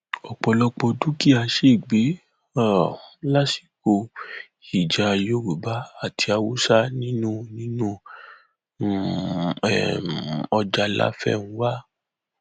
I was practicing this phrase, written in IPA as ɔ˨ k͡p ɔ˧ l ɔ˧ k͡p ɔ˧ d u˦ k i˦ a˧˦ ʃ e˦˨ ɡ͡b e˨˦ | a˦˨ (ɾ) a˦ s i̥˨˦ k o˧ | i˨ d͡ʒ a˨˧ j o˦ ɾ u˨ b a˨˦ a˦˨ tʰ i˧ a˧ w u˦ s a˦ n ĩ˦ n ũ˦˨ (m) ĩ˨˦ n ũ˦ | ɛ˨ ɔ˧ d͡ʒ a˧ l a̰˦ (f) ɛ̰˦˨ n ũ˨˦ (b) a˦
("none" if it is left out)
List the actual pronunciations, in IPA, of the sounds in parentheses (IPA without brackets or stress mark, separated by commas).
l, n, f, w